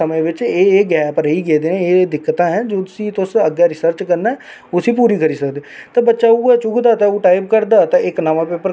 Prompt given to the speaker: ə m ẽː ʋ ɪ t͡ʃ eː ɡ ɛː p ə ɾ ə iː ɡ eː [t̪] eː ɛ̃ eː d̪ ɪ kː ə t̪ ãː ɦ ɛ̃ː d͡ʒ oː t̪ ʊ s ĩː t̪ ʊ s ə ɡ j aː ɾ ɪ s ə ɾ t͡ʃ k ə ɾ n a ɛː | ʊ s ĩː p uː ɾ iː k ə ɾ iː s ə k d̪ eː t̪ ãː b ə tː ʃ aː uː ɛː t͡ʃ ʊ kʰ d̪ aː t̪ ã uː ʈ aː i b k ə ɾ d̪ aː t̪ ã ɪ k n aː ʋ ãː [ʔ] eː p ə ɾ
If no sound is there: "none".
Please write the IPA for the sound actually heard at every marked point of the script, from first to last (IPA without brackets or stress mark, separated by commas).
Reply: d̪, p